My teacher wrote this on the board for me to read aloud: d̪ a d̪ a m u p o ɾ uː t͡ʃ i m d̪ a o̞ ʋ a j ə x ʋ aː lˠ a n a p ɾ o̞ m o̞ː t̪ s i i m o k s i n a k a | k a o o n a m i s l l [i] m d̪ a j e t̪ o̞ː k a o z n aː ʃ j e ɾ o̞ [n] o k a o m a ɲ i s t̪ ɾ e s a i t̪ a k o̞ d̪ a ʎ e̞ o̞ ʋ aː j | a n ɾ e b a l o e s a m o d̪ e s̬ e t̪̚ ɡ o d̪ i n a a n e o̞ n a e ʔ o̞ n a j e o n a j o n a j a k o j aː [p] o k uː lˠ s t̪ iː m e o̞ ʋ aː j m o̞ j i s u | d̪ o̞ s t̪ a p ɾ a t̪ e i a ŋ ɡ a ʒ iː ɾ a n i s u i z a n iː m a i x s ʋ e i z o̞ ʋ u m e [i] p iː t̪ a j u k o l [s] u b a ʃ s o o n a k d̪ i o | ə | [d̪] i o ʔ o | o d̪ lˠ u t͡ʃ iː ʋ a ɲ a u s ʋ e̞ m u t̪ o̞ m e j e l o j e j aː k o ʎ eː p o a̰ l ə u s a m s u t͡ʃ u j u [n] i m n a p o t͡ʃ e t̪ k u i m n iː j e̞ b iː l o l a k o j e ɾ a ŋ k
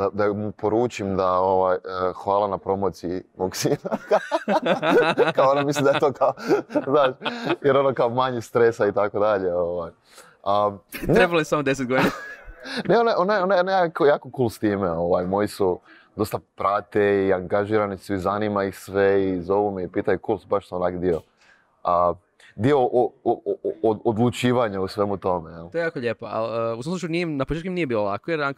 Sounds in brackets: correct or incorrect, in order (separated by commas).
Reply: correct, correct, incorrect, correct, correct, correct, correct